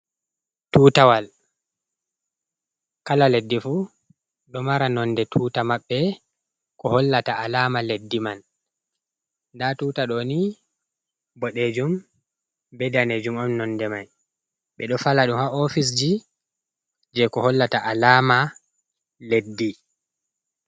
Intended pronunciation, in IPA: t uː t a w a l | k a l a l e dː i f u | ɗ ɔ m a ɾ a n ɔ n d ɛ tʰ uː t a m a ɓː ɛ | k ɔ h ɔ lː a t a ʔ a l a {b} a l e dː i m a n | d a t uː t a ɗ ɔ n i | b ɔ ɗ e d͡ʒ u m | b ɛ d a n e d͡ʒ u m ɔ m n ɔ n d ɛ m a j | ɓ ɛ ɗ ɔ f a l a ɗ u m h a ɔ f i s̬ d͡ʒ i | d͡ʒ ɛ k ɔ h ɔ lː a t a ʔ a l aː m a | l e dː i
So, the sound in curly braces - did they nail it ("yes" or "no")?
no